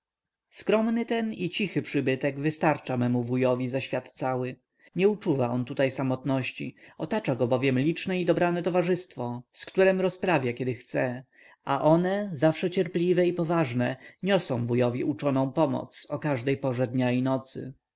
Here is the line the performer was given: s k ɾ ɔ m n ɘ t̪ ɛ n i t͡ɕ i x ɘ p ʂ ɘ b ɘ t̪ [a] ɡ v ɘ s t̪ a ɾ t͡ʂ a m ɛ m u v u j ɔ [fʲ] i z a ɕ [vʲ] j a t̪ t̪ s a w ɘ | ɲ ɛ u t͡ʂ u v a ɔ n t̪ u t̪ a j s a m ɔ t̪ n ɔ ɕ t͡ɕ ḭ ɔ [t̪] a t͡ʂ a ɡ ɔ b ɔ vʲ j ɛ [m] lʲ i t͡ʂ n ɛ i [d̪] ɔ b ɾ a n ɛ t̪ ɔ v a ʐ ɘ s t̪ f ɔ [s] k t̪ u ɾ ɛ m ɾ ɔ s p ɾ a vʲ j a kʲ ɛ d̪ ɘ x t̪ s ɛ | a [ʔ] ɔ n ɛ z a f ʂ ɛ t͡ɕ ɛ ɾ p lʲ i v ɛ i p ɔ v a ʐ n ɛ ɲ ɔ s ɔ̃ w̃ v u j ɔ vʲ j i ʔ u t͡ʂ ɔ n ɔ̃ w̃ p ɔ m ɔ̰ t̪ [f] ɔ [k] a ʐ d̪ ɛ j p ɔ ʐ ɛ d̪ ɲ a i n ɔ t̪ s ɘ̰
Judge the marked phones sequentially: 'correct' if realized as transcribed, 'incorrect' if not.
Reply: incorrect: ɛ, incorrect: vʲ, incorrect: fʲ, correct, correct, correct, correct, correct, incorrect: s, correct

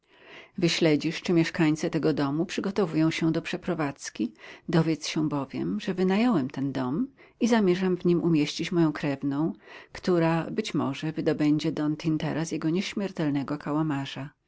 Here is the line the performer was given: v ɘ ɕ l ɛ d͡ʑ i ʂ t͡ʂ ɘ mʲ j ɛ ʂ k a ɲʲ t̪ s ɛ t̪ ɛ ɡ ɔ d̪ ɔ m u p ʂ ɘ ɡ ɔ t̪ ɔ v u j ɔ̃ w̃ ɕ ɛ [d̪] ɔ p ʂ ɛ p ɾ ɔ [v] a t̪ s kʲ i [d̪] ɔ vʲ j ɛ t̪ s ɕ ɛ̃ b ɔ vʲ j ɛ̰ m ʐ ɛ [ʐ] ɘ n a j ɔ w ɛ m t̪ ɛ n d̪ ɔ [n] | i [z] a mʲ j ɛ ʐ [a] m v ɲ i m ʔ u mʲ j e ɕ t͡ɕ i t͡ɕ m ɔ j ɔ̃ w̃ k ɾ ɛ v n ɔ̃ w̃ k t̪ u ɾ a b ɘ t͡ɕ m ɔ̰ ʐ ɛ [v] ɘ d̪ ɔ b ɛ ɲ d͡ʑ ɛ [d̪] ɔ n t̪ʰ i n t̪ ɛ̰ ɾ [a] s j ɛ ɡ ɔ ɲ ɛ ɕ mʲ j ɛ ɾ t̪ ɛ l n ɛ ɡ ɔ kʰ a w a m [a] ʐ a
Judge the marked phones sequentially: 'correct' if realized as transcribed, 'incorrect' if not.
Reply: correct, correct, correct, incorrect: v, incorrect: m, correct, correct, correct, correct, correct, correct

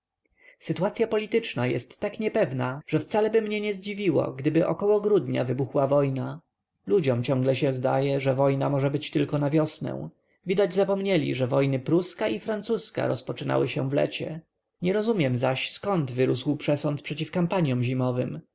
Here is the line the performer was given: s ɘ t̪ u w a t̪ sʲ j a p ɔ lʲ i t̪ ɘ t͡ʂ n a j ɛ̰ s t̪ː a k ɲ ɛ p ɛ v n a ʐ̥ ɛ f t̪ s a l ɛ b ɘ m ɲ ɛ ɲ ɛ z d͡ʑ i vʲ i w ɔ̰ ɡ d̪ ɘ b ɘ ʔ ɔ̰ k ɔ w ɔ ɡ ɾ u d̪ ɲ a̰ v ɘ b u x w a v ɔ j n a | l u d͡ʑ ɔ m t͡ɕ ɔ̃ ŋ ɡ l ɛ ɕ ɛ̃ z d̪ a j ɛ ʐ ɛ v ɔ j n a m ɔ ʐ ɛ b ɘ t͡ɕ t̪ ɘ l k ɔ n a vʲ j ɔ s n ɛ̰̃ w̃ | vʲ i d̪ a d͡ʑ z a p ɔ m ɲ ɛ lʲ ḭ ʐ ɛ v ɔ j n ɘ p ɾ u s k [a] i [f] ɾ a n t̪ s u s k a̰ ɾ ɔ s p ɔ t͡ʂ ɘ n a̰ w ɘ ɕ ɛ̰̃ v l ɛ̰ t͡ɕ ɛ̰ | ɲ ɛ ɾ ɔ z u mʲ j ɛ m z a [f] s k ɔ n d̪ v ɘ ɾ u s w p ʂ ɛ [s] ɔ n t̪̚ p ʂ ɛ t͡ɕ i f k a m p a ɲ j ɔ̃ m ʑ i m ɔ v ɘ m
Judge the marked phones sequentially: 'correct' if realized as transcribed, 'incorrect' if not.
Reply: correct, correct, incorrect: ɕ, correct

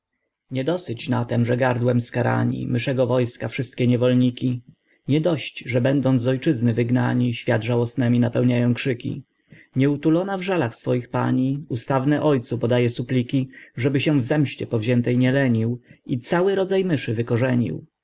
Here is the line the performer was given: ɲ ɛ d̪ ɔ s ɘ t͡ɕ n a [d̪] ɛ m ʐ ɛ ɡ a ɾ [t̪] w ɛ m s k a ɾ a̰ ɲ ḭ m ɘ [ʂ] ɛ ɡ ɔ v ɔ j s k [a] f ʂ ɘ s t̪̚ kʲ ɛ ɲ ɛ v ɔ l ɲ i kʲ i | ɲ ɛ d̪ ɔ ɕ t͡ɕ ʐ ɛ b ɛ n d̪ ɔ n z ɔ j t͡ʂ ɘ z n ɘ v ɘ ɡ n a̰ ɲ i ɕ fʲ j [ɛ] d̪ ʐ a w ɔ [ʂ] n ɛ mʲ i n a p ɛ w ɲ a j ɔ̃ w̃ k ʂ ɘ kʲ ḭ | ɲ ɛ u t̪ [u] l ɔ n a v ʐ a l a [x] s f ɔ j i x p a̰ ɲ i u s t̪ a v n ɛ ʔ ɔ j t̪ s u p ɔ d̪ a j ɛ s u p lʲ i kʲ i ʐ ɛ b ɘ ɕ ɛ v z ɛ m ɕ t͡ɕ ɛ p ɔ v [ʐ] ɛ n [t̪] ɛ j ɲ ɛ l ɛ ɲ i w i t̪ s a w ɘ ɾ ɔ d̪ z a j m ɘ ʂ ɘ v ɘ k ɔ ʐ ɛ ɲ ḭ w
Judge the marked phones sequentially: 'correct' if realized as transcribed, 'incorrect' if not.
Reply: incorrect: t̪, incorrect: d̪, correct, correct, incorrect: a, incorrect: s, correct, correct, incorrect: ʑ, correct

